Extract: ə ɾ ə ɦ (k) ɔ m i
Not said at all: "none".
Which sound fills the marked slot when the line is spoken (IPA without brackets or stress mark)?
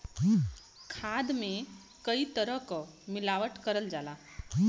k